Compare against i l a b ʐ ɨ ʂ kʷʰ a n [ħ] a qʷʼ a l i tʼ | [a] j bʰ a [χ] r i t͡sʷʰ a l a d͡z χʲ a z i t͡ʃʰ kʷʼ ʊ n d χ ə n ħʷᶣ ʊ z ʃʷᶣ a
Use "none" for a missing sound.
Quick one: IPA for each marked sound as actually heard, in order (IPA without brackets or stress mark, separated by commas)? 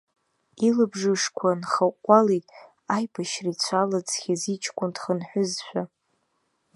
χ, a, ʃ